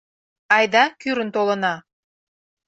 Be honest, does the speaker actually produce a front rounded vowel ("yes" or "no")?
yes